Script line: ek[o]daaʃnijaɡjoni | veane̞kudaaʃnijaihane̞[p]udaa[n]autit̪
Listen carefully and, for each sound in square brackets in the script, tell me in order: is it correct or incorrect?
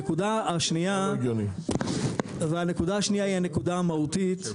incorrect: u, incorrect: k, incorrect: m

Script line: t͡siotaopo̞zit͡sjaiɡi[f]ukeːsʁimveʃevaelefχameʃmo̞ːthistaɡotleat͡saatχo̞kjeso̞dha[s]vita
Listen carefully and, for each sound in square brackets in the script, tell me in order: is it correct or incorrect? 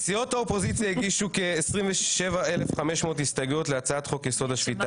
incorrect: ʃ, incorrect: ʃ

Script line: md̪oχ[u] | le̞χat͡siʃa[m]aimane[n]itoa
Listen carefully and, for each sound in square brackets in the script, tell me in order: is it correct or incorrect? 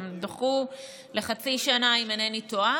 correct, incorrect: n, correct

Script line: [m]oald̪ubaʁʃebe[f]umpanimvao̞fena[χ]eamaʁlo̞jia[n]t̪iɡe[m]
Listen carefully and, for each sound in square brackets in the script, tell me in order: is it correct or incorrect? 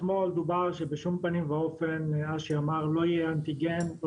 correct, incorrect: ʃ, incorrect: ʃ, correct, incorrect: n

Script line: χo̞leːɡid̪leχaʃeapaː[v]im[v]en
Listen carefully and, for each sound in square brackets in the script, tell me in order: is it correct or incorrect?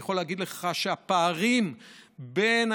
incorrect: ʁ, incorrect: b

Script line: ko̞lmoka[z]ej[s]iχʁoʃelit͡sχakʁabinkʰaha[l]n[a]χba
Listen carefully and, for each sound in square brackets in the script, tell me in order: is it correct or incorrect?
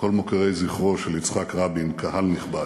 incorrect: ʁ, incorrect: z, correct, incorrect: i

